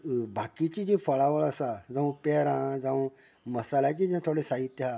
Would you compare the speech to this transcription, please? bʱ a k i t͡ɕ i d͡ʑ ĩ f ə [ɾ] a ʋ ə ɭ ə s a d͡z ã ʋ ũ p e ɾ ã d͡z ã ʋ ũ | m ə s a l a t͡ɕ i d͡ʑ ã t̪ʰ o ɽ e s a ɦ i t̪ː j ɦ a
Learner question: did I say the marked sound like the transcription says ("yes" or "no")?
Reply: no